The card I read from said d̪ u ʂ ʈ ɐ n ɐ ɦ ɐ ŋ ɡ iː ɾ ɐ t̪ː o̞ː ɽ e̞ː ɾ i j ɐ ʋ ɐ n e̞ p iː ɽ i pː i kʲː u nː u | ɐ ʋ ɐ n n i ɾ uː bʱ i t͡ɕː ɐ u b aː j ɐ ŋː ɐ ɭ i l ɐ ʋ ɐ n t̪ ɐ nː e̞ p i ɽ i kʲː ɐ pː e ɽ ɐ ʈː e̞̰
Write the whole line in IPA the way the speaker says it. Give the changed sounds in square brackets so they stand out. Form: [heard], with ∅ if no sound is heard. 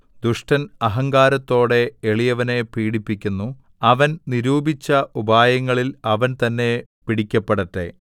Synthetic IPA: d̪ u ʂ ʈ ɐ n ɐ ɦ ɐ ŋ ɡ [aː] ɾ ɐ t̪ː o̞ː ɽ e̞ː [ɭ] i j ɐ ʋ ɐ n e̞ p iː ɽ i pː i kʲː u nː u | ɐ ʋ ɐ n n i ɾ uː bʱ i t͡ɕː ɐ u b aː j ɐ ŋː ɐ ɭ i l ɐ ʋ ɐ n t̪ ɐ nː e̞ p i ɽ i kʲː ɐ pː e ɽ ɐ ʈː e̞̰